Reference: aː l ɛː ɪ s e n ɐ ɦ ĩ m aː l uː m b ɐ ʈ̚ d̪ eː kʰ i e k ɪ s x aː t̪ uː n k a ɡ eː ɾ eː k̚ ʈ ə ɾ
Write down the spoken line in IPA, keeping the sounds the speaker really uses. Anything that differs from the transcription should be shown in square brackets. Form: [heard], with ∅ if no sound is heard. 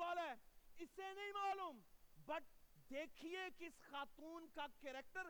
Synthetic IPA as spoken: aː l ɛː ɪ s e n ɐ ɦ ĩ m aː l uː m b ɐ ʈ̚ d̪ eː kʰ i e k ɪ s x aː t̪ uː n k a [k] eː ɾ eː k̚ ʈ ə ɾ